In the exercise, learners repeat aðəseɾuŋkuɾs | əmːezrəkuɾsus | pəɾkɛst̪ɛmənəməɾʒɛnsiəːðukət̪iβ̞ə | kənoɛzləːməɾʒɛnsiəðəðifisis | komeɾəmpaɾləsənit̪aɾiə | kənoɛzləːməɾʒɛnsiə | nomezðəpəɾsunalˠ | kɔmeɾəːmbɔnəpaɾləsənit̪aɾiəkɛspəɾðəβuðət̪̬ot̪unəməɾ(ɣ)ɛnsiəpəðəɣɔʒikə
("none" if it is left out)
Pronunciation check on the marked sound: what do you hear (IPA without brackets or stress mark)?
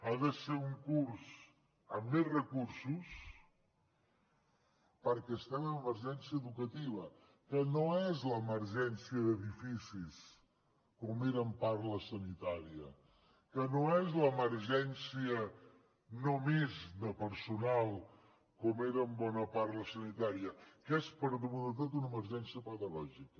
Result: ʒ